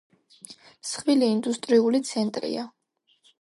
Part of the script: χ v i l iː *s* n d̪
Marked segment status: incorrect: none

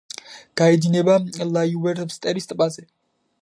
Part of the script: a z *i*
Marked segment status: incorrect: ɛ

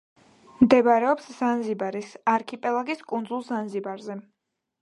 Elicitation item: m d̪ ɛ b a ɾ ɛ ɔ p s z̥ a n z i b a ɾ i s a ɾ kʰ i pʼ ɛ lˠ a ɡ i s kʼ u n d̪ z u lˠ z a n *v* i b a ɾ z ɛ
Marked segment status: incorrect: z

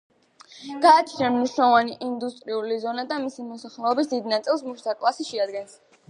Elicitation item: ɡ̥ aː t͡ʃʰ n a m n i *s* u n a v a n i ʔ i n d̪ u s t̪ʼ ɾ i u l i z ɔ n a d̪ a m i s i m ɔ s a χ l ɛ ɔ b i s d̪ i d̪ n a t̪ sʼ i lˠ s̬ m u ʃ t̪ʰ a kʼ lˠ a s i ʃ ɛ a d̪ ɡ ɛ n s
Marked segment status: incorrect: ʃ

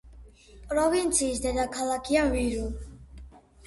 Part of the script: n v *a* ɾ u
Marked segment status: incorrect: i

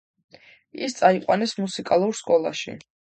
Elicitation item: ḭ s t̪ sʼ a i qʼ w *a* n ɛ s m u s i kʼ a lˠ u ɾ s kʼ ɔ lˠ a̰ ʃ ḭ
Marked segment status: correct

